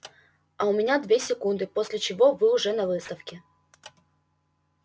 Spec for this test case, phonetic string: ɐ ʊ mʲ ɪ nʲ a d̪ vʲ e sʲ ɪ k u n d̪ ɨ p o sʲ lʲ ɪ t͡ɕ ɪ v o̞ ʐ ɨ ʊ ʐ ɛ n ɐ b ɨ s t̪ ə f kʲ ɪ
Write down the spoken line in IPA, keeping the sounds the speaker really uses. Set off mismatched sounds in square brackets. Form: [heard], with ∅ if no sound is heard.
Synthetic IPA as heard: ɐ ʊ mʲ ɪ nʲ a d̪ vʲ e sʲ ɪ k u n d̪ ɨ p o sʲ lʲ ɪ t͡ɕ ɪ v o̞ [v] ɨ ʊ ʐ ɛ n ɐ [v] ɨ s t̪ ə f kʲ ɪ